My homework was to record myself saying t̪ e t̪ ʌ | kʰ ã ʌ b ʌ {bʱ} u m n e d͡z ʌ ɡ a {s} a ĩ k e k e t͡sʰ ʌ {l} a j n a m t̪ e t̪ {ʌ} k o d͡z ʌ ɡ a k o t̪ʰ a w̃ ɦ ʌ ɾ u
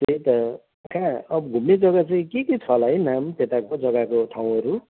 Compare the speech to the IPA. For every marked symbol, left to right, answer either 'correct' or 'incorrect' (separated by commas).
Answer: incorrect, incorrect, correct, incorrect